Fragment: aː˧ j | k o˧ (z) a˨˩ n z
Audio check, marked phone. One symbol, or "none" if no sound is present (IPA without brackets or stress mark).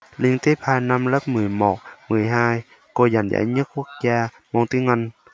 z